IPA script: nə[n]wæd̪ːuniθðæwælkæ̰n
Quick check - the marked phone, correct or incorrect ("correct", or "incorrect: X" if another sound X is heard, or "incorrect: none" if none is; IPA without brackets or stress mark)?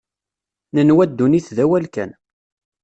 correct